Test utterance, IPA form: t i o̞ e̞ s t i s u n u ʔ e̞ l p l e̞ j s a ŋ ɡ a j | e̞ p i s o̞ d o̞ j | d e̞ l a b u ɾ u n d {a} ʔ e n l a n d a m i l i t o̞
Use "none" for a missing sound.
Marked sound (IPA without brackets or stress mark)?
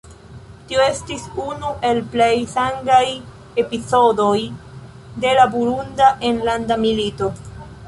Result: a